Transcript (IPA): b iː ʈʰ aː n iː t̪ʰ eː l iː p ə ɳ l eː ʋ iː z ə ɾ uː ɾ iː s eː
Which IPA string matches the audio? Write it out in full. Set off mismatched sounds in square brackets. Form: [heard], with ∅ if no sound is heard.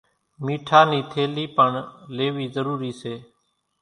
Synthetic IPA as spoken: [m] iː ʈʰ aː n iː t̪ʰ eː l iː p ə ɳ l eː ʋ iː z ə ɾ uː ɾ iː s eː